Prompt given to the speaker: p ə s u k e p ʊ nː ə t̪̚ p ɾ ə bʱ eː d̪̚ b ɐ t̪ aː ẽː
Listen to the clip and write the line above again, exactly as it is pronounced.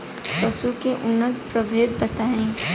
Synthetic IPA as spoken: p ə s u k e ʔ ʊ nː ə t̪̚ p ɾ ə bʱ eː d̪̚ b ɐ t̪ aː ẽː